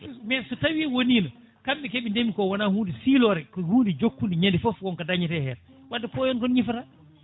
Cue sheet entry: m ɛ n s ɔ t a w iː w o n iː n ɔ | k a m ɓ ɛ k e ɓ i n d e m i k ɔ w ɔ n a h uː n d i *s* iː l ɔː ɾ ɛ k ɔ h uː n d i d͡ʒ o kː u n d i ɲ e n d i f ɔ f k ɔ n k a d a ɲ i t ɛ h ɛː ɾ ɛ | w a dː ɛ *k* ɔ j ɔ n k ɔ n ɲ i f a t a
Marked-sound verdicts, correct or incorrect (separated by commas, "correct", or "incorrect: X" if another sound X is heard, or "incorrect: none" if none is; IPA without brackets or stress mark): correct, incorrect: p